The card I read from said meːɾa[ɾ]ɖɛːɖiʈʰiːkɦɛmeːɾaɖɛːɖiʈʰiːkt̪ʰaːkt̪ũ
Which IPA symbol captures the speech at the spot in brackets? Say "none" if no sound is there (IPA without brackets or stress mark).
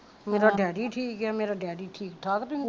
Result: none